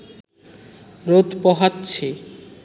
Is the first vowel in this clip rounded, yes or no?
yes